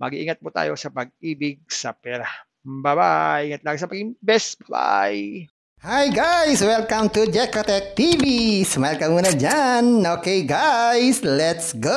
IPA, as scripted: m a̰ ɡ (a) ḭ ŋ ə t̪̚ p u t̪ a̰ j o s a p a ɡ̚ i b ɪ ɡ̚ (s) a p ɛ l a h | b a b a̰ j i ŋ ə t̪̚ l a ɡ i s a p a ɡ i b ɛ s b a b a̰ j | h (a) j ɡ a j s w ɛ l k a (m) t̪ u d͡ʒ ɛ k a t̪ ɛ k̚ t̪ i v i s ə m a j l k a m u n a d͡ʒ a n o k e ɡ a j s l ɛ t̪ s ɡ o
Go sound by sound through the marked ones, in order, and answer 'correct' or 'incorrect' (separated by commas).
incorrect, correct, correct, correct